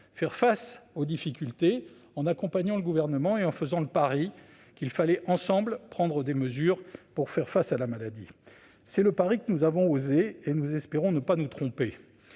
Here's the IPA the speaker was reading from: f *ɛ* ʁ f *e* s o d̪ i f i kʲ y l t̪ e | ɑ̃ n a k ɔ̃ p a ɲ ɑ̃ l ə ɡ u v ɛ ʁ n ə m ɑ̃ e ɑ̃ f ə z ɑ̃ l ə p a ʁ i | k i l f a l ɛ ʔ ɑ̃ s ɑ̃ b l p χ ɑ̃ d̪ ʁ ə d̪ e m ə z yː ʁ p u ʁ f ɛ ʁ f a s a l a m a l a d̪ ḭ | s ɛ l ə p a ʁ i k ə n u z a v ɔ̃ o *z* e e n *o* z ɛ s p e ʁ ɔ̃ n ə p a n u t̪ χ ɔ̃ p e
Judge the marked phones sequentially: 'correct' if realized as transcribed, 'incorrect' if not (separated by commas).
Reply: correct, incorrect, correct, incorrect